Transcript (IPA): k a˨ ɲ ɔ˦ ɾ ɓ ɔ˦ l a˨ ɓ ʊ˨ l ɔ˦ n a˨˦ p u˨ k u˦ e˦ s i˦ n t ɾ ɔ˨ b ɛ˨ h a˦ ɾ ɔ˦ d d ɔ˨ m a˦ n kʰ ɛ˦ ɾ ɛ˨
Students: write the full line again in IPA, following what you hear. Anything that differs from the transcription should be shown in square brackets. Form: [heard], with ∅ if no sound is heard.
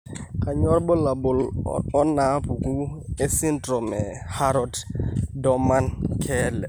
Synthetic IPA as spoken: k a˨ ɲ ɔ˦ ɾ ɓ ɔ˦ l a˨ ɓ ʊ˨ l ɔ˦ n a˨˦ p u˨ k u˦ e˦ s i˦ n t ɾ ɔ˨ [m] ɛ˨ h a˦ ɾ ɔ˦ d d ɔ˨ m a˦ n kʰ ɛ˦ [l] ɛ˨